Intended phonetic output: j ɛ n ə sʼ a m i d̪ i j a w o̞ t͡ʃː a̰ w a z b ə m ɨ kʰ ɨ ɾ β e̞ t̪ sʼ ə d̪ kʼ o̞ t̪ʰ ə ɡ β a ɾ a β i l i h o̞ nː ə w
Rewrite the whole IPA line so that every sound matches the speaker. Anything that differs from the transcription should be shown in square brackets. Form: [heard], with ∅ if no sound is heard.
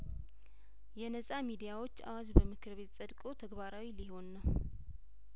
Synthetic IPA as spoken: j ɛ n ə sʼ a m i d̪ i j a w o̞ t͡ʃː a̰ w a z b ə m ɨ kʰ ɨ ɾ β e̞ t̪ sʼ ə d̪ kʼ o̞ t̪ʰ ə ɡ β a ɾ a [w] i l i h o̞ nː ə w